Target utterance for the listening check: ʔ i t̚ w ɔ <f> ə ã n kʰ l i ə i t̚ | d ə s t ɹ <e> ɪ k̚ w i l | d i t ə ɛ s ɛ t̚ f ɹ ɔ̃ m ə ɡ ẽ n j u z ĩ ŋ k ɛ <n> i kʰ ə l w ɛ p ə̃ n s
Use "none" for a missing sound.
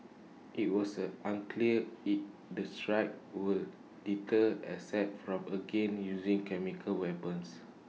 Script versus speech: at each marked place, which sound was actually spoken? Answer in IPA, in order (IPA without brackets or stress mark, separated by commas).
s, a, m